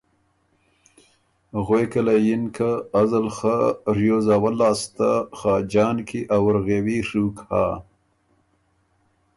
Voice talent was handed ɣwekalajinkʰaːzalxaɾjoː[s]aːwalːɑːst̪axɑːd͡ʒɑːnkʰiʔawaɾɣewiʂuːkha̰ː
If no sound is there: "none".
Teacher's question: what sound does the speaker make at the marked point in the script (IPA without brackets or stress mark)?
z